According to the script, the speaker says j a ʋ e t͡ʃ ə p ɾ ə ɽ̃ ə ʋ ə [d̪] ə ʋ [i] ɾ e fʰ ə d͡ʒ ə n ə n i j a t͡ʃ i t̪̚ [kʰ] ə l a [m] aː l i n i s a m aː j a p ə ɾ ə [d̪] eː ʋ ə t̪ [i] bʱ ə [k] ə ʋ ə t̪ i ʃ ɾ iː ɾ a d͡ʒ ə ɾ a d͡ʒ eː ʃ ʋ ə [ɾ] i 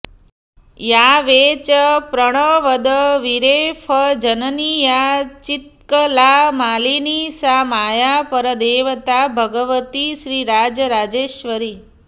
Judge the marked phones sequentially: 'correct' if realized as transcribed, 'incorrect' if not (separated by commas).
correct, correct, incorrect, correct, correct, incorrect, incorrect, correct